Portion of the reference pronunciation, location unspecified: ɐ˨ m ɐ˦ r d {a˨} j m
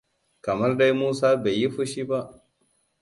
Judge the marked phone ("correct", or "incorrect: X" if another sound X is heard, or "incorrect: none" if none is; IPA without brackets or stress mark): incorrect: a˦